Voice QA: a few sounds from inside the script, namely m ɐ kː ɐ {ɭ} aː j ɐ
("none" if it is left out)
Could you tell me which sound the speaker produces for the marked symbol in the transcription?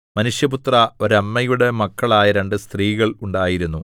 ɭ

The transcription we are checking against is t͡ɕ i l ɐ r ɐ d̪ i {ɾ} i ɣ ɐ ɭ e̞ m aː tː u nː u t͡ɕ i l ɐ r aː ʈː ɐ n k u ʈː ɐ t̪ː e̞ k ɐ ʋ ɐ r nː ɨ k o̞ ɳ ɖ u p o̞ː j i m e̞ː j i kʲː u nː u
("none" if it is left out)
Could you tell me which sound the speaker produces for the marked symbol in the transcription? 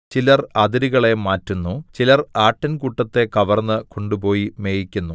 ɾ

